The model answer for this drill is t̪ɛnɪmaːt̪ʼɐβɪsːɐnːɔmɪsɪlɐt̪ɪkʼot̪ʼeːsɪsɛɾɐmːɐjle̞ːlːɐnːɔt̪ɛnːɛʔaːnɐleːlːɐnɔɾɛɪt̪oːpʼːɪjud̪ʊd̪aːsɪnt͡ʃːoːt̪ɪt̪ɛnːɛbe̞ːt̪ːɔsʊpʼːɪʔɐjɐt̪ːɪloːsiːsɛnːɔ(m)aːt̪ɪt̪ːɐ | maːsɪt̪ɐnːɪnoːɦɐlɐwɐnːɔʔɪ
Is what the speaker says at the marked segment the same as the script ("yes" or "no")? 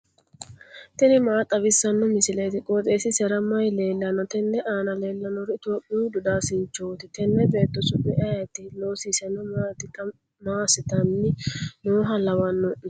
yes